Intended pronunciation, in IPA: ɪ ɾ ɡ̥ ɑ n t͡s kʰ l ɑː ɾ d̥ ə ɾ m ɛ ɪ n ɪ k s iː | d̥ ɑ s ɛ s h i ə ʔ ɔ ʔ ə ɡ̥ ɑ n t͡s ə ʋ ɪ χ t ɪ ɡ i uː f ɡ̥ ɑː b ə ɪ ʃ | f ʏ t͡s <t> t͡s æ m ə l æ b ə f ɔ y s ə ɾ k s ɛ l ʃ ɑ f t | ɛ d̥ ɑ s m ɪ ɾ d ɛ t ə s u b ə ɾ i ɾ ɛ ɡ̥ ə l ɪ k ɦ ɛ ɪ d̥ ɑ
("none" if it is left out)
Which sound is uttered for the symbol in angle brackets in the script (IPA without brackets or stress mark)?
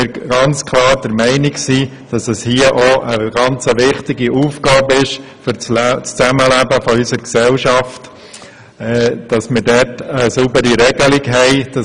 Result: t͡s